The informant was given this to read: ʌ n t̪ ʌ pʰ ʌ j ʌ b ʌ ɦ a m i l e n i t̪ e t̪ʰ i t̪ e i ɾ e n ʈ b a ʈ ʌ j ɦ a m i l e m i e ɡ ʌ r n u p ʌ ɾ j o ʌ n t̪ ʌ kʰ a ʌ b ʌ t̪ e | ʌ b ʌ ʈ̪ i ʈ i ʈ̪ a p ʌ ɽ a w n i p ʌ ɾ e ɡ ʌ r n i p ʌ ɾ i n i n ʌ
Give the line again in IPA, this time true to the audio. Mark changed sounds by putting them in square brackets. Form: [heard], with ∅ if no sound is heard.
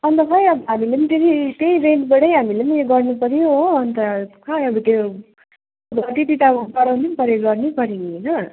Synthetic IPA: ʌ n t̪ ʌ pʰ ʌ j ʌ b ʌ ɦ a m i l e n i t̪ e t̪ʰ i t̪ e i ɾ e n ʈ b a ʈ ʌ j ɦ a m i l e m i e ɡ ʌ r n u p ʌ ɾ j o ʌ n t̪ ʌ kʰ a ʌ b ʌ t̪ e | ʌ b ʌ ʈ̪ i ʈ i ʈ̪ a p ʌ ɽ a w n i p ʌ ɾ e ɡ ʌ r n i p ʌ ɾ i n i n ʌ